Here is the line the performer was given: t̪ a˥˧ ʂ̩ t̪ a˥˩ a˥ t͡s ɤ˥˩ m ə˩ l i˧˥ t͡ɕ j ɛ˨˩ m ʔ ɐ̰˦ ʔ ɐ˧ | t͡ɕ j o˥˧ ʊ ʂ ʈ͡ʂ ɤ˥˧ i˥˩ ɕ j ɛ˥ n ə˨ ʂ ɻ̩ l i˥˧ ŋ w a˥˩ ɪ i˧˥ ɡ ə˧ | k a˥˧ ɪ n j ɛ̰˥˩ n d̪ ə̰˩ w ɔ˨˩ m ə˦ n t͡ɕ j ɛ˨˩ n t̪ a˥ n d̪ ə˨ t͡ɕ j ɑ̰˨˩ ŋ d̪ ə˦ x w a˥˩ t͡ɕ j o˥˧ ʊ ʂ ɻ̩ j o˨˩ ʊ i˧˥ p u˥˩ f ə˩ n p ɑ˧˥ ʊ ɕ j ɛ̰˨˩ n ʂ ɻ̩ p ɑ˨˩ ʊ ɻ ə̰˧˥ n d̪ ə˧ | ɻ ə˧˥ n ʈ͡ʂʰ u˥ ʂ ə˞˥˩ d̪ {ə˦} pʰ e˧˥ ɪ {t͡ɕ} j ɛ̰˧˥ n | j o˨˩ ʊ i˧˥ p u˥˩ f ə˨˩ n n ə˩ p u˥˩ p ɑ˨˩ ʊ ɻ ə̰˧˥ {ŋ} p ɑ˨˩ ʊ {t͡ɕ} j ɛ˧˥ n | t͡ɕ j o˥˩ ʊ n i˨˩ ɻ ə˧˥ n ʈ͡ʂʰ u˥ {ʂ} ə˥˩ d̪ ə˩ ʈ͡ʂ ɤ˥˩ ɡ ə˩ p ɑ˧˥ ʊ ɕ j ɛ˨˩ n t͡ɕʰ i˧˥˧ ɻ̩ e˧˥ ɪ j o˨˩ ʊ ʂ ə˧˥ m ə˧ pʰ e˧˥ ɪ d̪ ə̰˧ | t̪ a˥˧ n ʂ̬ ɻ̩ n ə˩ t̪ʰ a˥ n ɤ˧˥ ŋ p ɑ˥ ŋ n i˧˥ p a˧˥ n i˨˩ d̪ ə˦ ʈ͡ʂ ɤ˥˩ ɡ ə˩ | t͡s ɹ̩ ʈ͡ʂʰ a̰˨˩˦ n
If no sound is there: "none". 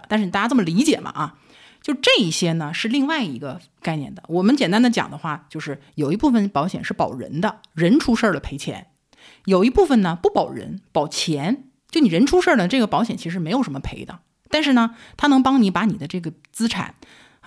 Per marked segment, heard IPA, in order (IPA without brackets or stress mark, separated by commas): ə˩, t͡ɕʰ, n, t͡ɕʰ, ʂ